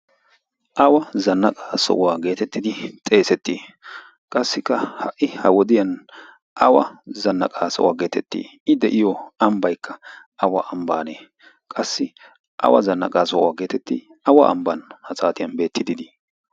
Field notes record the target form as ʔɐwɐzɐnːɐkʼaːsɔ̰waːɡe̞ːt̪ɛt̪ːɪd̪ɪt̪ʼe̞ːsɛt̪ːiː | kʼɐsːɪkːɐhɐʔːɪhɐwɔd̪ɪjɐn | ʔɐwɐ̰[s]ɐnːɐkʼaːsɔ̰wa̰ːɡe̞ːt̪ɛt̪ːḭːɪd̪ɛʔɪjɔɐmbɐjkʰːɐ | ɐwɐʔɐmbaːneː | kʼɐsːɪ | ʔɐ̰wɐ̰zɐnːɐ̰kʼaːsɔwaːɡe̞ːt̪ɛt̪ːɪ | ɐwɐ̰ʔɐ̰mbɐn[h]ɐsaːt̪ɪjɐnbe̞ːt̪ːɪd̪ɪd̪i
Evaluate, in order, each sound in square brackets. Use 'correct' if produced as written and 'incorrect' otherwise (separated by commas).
incorrect, correct